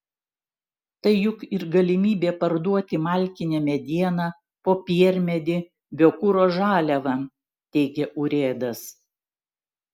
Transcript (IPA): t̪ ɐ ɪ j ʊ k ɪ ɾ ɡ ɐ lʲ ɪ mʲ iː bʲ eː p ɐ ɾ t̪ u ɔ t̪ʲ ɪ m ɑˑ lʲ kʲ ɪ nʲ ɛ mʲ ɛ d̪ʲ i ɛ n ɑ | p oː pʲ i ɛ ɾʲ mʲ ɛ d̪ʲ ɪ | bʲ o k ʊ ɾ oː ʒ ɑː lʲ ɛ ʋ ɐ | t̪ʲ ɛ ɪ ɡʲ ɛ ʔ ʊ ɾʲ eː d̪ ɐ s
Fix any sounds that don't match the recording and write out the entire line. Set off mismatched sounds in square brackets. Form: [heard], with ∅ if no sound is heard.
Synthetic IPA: t̪ ɐ ɪ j ʊ k ɪ ɾ ɡ ɐ lʲ ɪ mʲ iː bʲ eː p ɐ ɾ [d̪] u ɔ t̪ʲ ɪ m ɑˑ lʲ kʲ ɪ nʲ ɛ mʲ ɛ d̪ʲ i ɛ n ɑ | p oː pʲ i ɛ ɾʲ mʲ ɛ d̪ʲ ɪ | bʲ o k ʊ ɾ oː ʒ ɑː lʲ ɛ ʋ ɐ | t̪ʲ ɛ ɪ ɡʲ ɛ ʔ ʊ ɾʲ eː d̪ ɐ s

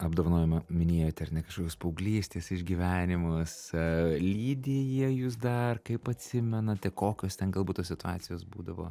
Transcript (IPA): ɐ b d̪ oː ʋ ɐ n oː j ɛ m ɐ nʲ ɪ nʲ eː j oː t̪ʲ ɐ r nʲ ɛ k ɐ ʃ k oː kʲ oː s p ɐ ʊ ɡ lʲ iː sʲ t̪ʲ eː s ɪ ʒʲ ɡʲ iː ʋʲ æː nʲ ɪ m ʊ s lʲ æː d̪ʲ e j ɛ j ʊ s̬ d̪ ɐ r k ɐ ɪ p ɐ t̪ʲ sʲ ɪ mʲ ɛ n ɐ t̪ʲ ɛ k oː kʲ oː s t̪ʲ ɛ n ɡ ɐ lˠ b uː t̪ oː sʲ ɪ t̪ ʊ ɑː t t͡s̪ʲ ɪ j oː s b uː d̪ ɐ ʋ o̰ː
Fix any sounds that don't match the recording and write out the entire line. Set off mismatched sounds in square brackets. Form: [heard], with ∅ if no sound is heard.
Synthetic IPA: ɐ b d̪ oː ʋ ɐ n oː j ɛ m ɐ [mʲ] ɪ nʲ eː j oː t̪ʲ ɐ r nʲ ɛ k ɐ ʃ k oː kʲ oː s p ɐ ʊ ɡ lʲ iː sʲ t̪ʲ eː s ɪ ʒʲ ɡʲ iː ʋʲ æː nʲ ɪ m ʊ s lʲ [iː] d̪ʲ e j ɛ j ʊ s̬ d̪ ɐ r k ɐ ɪ p ɐ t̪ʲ sʲ ɪ mʲ ɛ n ɐ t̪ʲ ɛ k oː kʲ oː s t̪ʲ ɛ n ɡ ɐ lˠ b uː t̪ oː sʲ ɪ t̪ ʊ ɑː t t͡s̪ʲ ɪ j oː s b uː d̪ ɐ ʋ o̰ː

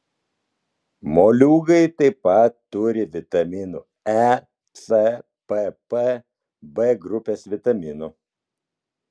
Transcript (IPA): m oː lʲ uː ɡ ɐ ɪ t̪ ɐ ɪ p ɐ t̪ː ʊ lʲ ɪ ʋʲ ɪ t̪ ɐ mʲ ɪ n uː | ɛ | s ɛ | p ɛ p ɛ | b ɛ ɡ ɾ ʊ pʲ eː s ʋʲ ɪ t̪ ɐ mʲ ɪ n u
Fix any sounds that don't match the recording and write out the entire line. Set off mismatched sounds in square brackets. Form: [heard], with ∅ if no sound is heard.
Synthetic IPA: m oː lʲ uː ɡ ɐ ɪ t̪ ɐ ɪ p ɐ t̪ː ʊ [ɾʲ] ɪ ʋʲ ɪ t̪ ɐ mʲ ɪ n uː | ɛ | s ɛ | p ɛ p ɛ | b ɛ ɡ ɾ ʊ pʲ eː s ʋʲ ɪ t̪ ɐ mʲ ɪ n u

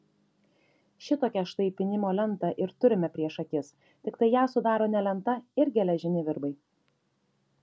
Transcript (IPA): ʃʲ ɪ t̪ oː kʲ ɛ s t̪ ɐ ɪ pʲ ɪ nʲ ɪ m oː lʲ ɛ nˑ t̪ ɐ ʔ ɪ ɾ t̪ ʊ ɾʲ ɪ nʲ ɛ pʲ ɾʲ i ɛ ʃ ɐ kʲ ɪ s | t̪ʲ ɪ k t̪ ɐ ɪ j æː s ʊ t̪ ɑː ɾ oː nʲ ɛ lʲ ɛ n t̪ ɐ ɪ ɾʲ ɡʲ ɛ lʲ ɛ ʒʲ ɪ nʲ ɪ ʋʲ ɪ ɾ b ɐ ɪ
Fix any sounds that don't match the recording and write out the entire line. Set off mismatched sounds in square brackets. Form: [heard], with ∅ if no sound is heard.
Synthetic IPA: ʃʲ ɪ t̪ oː kʲ ɛ [ʃ] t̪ ɐ ɪ pʲ ɪ nʲ ɪ m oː lʲ ɛ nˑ t̪ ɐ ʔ ɪ ɾ t̪ ʊ ɾʲ ɪ [mʲ] ɛ pʲ ɾʲ i ɛ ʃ ɐ kʲ ɪ s | t̪ʲ ɪ k t̪ ɐ ɪ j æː s ʊ [d̪] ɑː ɾ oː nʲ ɛ lʲ ɛ n t̪ ɐ ɪ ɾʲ ɡʲ ɛ lʲ ɛ ʒʲ ɪ nʲ ɪ ʋʲ ɪ ɾ b ɐ ɪ

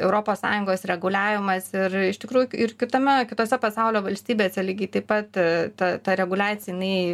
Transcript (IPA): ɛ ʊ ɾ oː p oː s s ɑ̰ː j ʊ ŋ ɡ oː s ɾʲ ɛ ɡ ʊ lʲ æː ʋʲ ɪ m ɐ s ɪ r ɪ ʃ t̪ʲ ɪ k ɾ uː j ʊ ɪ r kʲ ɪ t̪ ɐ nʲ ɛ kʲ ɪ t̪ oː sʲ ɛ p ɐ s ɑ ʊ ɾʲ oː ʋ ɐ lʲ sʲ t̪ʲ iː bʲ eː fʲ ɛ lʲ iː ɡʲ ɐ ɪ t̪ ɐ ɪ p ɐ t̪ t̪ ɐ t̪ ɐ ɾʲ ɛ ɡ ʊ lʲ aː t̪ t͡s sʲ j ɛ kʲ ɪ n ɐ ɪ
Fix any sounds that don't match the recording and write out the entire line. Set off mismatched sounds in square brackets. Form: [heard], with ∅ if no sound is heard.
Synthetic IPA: ɛ ʊ ɾ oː p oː s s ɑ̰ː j ʊ ŋ ɡ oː s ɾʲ ɛ ɡ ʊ lʲ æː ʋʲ ɪ m ɐ s ɪ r ɪ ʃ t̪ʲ ɪ k ɾ uː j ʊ ɪ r kʲ ɪ t̪ ɐ [mʲ] ɛ kʲ ɪ t̪ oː sʲ ɛ p ɐ s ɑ ʊ [lʲ] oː ʋ ɐ lʲ sʲ t̪ʲ iː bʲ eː [sʲ] ɛ lʲ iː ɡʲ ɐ ɪ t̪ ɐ ɪ p ɐ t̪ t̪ ɐ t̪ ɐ ɾʲ ɛ ɡ ʊ lʲ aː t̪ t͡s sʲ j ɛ [∅] ɪ n ɐ ɪ

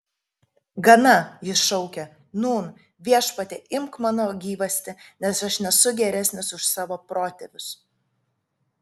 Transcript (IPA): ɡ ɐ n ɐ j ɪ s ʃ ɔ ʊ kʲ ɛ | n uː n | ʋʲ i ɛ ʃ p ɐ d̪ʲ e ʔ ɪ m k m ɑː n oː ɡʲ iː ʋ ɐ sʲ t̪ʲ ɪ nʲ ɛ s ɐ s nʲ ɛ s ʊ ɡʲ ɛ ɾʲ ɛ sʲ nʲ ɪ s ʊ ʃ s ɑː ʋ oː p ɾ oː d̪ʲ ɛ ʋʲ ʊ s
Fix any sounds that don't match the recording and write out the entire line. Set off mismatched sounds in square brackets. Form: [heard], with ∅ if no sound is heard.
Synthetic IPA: ɡ ɐ n ɐ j ɪ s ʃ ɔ ʊ kʲ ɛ | n uː n | ʋʲ i ɛ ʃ p ɐ [t̪ʲ] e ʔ ɪ m k m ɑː n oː ɡʲ iː ʋ ɐ sʲ t̪ʲ ɪ nʲ ɛ s ɐ [ʃ] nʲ ɛ s ʊ ɡʲ ɛ ɾʲ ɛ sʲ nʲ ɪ s ʊ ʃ s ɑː ʋ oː p ɾ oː [t̪ʲ] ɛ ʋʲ ʊ s

